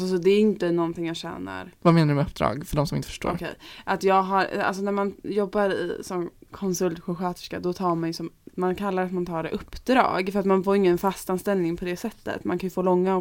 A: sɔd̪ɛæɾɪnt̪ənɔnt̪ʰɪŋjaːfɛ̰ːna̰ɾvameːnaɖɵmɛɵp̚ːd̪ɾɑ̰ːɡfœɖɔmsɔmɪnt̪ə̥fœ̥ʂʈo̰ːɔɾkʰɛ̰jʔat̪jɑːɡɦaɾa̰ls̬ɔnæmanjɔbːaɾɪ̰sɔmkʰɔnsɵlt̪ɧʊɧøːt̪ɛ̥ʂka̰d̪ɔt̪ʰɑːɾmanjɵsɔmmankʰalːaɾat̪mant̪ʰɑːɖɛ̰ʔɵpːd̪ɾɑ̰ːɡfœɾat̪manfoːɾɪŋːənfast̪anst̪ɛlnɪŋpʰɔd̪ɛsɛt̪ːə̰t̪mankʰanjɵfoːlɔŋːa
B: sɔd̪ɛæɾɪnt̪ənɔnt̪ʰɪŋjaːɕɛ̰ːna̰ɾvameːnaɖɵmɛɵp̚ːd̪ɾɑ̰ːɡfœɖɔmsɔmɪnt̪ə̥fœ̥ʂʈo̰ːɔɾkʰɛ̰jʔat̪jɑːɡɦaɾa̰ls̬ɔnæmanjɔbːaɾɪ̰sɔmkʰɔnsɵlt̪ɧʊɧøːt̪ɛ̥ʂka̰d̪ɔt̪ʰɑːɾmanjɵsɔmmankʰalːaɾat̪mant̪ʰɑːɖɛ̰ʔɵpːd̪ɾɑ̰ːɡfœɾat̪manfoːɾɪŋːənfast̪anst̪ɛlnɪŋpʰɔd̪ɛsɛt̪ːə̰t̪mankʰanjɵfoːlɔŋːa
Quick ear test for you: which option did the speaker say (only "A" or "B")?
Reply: B